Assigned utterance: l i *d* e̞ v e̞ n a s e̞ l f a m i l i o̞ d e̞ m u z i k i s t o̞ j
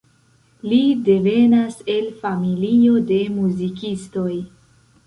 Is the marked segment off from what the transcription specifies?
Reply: no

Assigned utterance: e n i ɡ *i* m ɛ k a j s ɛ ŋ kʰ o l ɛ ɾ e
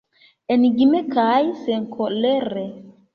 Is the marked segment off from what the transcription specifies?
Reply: no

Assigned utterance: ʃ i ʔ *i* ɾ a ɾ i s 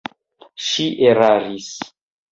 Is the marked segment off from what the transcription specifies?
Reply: yes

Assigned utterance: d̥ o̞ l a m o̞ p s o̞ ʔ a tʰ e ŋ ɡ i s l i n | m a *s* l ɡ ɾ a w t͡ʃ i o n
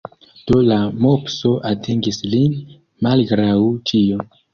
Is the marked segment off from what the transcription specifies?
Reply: yes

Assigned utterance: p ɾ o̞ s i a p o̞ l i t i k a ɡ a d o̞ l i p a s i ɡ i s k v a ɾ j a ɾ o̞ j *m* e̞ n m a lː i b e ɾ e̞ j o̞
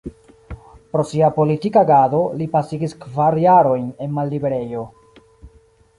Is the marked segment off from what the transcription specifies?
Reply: yes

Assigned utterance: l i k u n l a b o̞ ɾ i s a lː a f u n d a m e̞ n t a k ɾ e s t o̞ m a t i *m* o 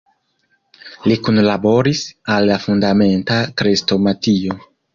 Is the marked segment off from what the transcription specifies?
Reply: yes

